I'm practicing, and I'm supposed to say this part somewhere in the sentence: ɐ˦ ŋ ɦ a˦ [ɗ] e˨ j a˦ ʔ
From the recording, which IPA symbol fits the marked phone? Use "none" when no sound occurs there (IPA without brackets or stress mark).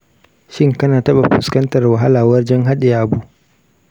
ɗ